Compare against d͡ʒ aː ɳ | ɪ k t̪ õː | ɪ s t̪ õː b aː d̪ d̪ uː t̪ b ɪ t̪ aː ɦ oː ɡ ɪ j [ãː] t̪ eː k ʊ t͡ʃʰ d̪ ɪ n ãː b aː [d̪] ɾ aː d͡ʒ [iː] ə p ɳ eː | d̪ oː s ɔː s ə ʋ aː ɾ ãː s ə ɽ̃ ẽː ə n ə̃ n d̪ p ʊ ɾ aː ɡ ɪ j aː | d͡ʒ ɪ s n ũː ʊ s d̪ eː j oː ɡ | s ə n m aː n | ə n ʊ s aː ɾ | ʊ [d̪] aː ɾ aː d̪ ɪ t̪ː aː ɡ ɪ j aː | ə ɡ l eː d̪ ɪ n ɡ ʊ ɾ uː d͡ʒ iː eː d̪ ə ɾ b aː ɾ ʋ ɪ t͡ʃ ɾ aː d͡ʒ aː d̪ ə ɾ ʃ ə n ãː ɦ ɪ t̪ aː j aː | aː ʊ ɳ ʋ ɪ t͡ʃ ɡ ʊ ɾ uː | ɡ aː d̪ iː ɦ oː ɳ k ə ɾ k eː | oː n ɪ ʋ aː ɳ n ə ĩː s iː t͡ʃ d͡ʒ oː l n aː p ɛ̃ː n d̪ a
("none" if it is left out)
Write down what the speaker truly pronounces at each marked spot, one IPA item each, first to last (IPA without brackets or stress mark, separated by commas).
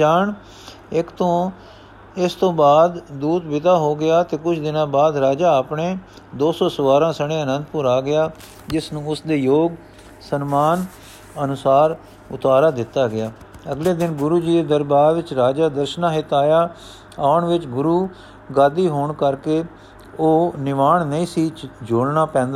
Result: aː, d̪, aː, t̪